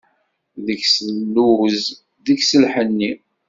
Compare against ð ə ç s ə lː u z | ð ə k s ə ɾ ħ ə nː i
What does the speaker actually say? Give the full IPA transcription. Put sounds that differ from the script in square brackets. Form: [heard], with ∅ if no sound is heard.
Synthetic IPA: ð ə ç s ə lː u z | ð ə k s ə [l] ħ ə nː i